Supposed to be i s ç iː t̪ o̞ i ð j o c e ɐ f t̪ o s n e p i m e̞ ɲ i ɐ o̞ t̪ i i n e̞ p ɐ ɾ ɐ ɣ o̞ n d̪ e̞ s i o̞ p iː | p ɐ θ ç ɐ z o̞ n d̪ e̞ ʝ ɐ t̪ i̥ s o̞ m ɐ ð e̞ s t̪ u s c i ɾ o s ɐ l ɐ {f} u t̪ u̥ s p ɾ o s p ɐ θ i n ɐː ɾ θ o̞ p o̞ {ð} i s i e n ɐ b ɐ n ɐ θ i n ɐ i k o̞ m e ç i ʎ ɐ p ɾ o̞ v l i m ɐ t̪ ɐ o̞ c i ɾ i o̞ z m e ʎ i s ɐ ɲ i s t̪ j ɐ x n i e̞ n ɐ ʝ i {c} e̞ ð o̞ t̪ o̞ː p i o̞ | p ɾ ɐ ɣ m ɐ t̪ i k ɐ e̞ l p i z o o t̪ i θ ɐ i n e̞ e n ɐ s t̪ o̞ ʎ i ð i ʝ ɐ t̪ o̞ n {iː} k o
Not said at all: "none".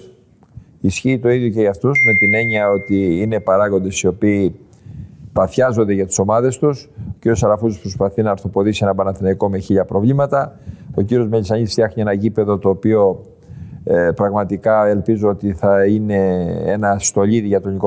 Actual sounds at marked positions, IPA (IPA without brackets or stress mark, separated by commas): f, ð, p, i